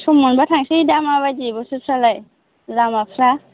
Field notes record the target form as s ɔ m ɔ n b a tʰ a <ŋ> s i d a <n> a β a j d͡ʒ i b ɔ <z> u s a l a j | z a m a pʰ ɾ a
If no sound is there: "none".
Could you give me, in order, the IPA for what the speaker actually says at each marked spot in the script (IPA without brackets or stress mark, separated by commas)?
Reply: ŋ, m, s